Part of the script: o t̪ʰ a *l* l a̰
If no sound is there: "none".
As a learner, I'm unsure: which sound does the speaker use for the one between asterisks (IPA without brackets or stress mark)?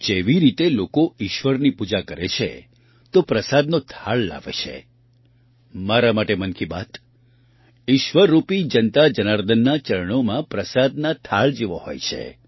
ɭ